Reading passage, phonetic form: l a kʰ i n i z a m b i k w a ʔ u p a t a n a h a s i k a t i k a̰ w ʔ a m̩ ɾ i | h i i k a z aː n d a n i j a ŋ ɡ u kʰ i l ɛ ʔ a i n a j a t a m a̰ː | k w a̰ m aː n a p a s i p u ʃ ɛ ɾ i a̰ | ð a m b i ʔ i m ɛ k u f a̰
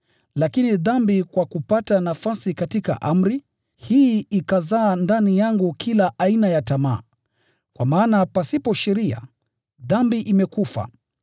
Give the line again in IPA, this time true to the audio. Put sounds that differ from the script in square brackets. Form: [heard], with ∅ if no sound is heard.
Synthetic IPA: l a [k] i n i [ð] a m b i k w a [k] u p a t a n a [f] a s i k a t i k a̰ [∅] ʔ a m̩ ɾ i | h i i k a z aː n d a n i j a ŋ ɡ u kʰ i l [a] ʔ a i n a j a t a m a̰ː | k w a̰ m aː n a p a s i p [ɔ] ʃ ɛ ɾ i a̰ | ð a m b i ʔ i m ɛ k u f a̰